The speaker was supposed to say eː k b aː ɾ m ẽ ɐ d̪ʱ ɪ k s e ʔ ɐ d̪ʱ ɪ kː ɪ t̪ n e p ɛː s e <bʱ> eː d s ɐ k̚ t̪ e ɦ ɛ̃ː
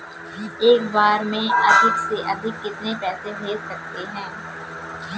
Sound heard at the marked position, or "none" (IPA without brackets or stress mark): bʱ